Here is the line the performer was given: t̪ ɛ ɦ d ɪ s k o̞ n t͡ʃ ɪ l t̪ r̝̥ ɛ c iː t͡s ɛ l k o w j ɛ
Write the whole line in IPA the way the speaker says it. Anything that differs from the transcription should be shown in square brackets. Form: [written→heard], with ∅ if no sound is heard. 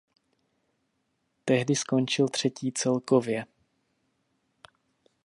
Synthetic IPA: t̪ ɛ ɦ d ɪ s k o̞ n t͡ʃ ɪ l t̪ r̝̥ ɛ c iː t͡s ɛ l k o [w→v] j ɛ